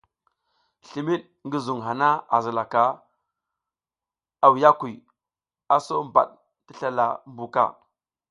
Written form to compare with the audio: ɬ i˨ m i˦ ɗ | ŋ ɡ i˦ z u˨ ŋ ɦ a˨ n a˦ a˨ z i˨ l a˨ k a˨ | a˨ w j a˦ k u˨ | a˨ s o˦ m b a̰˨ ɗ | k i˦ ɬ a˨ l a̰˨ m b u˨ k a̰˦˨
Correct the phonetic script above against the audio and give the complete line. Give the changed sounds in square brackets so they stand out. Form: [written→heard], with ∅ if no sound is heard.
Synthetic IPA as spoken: ɬ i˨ m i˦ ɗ | ŋ ɡ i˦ z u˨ ŋ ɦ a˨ n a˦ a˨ z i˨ l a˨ k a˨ | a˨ w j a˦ k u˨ | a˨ s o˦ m b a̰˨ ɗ | [k→t] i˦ ɬ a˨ l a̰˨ m b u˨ k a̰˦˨

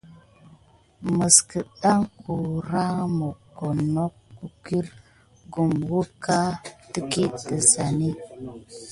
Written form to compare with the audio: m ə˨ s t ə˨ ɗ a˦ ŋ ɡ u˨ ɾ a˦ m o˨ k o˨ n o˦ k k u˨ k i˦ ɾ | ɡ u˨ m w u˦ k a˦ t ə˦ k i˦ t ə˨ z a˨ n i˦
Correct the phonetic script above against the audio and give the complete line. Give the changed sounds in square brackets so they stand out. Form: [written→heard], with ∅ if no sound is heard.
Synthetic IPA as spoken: m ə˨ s [t→k] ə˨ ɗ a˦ ŋ [ɡ→k] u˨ ɾ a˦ m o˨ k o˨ n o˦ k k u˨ k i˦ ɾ | ɡ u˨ m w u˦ k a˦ t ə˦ k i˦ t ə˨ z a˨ n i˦

